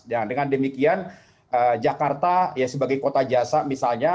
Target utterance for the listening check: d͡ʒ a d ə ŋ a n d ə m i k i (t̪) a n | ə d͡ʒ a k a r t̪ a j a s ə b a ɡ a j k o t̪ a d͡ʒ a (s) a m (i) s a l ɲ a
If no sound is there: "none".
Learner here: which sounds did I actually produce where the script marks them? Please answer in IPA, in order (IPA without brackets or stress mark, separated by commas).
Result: none, s, i